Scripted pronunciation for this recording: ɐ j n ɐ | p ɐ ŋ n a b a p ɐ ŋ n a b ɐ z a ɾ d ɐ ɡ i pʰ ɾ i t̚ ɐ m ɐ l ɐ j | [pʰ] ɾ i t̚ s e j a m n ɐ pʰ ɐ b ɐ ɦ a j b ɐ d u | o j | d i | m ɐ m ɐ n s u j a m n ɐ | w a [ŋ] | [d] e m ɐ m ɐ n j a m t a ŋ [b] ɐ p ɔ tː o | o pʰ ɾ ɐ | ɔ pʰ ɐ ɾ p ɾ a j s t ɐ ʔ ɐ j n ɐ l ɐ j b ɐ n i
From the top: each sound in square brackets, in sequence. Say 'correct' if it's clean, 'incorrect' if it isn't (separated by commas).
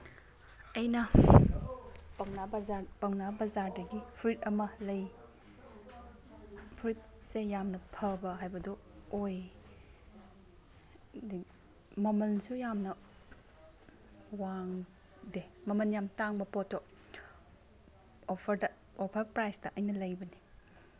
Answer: correct, correct, correct, correct